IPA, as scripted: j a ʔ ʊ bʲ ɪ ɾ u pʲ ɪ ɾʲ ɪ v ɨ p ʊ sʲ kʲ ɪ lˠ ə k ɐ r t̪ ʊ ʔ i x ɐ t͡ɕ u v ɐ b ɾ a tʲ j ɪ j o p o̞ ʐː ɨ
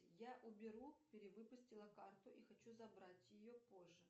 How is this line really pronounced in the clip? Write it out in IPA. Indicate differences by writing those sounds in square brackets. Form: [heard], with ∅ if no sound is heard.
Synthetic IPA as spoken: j a ʔ ʊ bʲ ɪ ɾ u pʲ ɪ ɾʲ ɪ v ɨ p ʊ sʲ [tʲ] ɪ lˠ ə k [a] r t̪ ʊ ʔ i x ɐ t͡ɕ u [z] ɐ b ɾ a tʲ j ɪ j o p o̞ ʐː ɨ